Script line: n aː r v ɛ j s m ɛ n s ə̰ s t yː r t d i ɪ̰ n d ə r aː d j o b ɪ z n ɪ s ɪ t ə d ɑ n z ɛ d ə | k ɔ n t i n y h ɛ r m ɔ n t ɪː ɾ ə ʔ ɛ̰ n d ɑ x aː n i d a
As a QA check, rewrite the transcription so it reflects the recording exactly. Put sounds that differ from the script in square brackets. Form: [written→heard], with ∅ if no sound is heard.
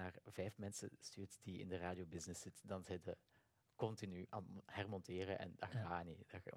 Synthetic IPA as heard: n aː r v ɛ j [s→f] m ɛ n s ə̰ s t yː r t d i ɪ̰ n d ə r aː d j o b ɪ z n ɪ s ɪ t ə d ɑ n z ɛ d ə | k ɔ n t i n y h ɛ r m ɔ n t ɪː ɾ ə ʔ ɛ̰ n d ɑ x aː n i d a